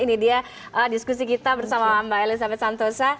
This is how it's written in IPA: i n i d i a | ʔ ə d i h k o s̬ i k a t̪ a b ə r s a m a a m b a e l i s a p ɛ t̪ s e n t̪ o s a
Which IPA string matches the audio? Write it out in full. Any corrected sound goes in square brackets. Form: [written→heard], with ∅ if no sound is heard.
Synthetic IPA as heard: i n i d i a | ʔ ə d i [h→s] k [o→u] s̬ i k [a→i] t̪ a b ə r s a m a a m b a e l i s a [p→b] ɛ t̪ s [e→a] n t̪ o s a